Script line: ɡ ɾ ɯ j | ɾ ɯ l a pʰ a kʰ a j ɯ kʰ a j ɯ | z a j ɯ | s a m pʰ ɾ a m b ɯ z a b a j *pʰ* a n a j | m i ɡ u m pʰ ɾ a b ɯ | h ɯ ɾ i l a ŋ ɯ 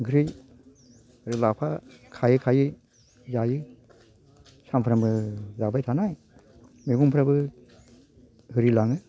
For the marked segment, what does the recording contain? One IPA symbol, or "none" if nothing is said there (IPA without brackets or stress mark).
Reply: tʰ